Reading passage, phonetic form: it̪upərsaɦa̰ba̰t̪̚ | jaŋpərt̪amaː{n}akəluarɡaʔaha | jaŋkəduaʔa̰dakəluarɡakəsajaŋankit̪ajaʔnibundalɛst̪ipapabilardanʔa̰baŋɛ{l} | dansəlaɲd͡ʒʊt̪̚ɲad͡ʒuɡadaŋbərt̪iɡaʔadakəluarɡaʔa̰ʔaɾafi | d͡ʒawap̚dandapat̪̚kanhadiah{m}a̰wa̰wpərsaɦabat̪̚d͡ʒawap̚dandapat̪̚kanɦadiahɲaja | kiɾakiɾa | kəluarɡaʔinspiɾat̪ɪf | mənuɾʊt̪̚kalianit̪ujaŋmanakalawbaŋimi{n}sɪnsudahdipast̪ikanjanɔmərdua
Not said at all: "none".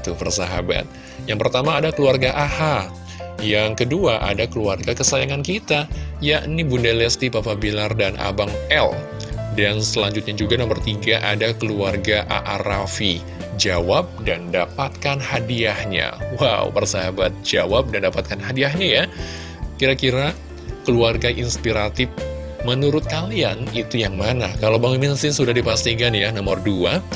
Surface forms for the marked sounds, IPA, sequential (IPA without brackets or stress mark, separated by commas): d, l, ɲ, n